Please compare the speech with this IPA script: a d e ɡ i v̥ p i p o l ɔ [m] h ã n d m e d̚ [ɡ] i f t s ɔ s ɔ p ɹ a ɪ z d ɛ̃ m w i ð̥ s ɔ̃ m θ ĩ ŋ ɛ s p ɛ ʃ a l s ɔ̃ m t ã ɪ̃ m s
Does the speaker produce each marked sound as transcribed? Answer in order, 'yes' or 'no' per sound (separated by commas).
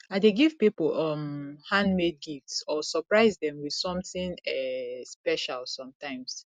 yes, yes